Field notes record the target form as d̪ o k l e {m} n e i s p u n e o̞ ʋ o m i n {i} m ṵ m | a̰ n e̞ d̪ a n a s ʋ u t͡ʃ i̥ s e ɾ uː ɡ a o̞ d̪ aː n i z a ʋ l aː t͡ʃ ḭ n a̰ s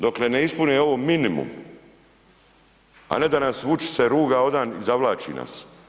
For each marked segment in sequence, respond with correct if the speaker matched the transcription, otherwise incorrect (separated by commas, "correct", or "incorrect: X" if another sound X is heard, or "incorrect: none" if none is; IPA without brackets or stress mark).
incorrect: none, correct